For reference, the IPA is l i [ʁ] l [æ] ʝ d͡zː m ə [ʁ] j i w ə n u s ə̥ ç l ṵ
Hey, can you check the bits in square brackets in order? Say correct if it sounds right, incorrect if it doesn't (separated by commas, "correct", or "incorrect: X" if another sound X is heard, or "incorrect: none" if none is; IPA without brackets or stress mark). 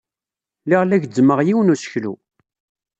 correct, correct, correct